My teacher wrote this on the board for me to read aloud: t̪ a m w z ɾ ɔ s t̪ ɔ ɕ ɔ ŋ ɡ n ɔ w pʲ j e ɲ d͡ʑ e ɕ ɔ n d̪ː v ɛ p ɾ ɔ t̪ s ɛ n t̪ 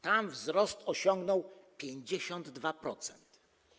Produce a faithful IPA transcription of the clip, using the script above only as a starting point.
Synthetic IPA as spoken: t̪ a m v z ɾ ɔ s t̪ ɔ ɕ ɔ ŋ ɡ n ɔ w pʲ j e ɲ d͡ʑ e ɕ ɔ n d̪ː v a p ɾ ɔ t̪ s ɛ n t̪